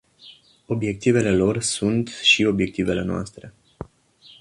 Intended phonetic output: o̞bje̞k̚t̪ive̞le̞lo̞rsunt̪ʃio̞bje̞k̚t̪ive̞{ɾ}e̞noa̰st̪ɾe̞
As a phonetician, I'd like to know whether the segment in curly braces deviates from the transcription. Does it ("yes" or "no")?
yes